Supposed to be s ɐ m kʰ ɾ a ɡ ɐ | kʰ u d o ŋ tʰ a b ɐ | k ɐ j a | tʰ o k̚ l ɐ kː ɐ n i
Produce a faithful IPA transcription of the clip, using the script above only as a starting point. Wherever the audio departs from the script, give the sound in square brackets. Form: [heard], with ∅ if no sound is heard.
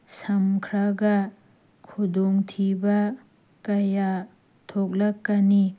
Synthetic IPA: s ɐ m kʰ ɾ a ɡ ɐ | kʰ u d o ŋ tʰ [i] b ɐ | k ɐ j a | tʰ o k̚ l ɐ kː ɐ n i